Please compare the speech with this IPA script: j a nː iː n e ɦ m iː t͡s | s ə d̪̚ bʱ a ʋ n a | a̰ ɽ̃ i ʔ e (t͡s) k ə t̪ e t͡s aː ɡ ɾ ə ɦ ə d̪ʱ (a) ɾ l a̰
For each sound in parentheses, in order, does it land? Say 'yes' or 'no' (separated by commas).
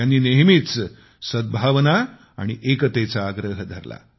no, no